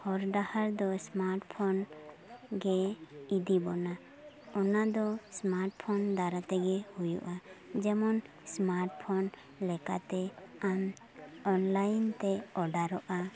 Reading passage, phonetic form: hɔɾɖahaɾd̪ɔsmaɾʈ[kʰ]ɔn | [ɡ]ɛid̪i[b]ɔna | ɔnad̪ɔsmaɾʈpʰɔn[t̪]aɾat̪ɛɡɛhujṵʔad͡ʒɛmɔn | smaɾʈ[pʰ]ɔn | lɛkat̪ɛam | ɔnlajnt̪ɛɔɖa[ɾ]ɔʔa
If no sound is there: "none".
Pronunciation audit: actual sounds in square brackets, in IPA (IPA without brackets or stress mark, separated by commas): pʰ, ɡ, b, d̪, pʰ, ɾ